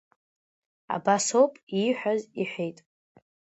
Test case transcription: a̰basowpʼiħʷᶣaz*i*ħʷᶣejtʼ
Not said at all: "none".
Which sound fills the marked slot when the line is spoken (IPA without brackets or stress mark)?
i